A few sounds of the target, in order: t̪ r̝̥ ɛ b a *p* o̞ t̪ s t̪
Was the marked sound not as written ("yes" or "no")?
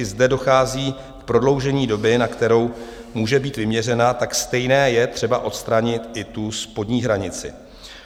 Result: yes